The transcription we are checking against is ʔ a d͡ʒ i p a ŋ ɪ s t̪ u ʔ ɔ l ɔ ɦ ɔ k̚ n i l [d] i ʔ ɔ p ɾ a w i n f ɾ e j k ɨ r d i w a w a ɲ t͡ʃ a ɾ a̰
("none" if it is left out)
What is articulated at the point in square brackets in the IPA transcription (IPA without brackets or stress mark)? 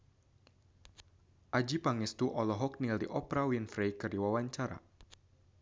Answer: d